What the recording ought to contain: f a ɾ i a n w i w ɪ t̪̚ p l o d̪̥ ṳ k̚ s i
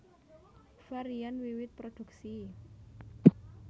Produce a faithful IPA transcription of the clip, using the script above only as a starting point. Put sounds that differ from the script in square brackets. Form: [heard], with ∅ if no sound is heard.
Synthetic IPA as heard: f a ɾ i a n w i w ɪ t̪̚ p [ɾ] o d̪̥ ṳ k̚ s i